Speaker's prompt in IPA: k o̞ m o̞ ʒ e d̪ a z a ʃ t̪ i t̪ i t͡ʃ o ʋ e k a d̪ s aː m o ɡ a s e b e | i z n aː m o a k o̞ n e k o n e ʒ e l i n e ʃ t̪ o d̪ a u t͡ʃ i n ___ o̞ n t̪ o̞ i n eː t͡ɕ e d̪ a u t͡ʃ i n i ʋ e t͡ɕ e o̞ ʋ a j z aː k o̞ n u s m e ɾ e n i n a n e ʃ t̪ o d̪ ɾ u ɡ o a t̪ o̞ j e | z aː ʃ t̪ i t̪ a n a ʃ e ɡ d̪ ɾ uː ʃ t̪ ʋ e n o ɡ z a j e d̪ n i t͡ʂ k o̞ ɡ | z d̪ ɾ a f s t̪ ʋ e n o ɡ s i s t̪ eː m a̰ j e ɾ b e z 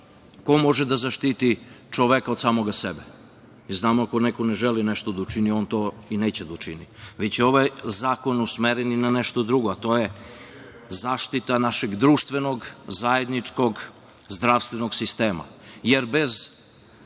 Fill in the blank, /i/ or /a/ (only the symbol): i